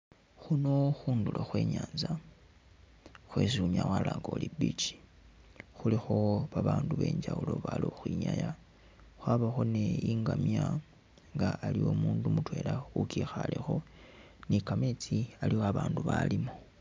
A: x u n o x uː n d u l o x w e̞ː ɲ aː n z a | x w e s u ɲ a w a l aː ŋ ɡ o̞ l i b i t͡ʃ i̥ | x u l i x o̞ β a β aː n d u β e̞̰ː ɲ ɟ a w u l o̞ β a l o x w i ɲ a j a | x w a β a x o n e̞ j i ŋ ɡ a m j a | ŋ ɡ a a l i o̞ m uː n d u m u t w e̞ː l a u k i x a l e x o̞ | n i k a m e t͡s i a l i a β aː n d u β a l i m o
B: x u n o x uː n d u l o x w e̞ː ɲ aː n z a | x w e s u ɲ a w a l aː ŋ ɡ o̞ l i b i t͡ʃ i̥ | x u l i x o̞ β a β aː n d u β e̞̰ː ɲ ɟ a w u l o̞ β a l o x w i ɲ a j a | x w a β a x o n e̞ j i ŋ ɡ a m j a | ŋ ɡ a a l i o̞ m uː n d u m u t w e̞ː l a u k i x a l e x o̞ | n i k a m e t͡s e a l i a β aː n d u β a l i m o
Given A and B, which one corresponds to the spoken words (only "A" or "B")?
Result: A